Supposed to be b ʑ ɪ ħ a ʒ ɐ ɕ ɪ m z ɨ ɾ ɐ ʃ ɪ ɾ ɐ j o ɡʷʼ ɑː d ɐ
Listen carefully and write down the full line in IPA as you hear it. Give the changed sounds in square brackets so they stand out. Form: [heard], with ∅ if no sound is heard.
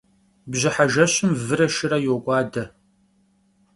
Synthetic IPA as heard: b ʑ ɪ ħ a ʒ ɐ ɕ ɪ m [v] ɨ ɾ ɐ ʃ ɪ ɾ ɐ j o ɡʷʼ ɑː d ɐ